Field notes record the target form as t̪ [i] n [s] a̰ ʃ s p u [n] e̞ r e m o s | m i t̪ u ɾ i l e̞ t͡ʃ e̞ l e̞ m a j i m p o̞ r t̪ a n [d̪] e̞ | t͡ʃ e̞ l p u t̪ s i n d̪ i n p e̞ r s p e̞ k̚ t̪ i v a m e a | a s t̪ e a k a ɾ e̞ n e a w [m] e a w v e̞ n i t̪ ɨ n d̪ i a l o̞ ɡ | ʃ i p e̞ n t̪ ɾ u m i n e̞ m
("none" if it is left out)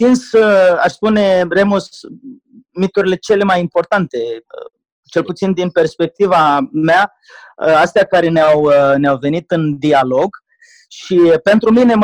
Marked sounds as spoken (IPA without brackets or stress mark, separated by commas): i, s, n, t̪, n